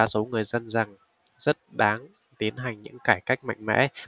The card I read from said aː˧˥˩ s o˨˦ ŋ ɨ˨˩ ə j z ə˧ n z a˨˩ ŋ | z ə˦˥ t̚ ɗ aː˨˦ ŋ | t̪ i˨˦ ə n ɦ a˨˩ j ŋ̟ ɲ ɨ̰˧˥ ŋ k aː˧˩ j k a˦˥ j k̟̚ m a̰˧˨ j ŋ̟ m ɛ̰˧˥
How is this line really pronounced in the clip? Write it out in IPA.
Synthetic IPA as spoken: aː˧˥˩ s o˨˦ ŋ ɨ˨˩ ə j z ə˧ n z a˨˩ ŋ | z ə˦˥ t̚ ɗ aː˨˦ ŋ | t̪ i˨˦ ə n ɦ a˨˩ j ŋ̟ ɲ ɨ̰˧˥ ŋ k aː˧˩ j k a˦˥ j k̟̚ m a̰˧˨ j ŋ̟ m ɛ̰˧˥